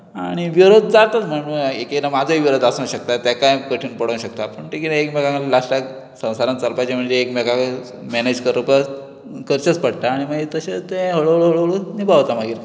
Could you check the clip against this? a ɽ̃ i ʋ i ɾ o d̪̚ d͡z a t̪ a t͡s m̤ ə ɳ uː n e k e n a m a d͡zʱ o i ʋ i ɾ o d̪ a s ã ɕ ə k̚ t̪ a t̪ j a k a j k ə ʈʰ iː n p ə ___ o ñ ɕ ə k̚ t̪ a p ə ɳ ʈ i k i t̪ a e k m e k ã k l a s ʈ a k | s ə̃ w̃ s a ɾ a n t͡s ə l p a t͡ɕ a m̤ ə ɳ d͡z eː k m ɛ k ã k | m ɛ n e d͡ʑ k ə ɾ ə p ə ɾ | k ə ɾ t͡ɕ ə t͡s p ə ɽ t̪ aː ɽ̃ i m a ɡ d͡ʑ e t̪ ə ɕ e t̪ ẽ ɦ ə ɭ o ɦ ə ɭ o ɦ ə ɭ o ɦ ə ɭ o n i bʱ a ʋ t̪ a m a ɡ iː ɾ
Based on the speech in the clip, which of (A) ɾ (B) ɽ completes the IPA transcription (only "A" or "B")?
B